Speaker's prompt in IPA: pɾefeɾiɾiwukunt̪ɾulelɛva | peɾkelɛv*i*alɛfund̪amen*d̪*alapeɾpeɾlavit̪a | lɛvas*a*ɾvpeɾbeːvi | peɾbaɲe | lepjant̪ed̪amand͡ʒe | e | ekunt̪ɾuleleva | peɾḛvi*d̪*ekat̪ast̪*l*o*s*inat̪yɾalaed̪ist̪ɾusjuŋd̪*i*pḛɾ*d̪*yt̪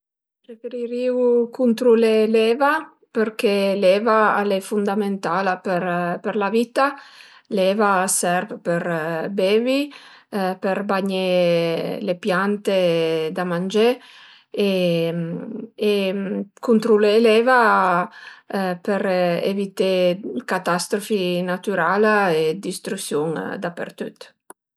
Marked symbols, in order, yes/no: no, no, no, no, no, no, no, no

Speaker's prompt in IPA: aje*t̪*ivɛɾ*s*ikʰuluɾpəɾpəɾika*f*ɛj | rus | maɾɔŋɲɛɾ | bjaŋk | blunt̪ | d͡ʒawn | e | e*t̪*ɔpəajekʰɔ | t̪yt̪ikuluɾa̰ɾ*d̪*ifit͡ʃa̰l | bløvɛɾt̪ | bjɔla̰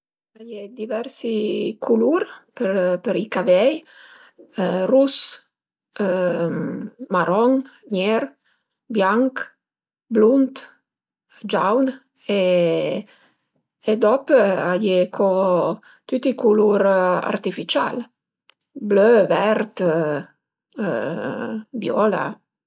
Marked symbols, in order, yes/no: no, yes, no, no, no

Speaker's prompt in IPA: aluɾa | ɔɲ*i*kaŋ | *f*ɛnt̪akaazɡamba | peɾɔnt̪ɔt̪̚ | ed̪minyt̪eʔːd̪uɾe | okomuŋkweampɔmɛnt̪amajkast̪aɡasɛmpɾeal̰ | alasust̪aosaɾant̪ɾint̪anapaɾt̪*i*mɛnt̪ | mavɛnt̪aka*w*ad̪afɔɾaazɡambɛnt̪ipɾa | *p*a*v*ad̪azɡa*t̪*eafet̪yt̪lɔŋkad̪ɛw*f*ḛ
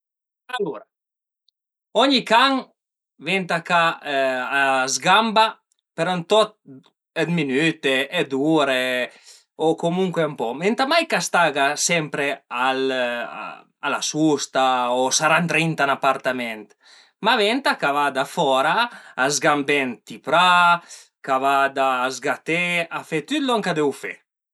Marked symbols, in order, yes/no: yes, no, no, no, no, yes, yes, yes

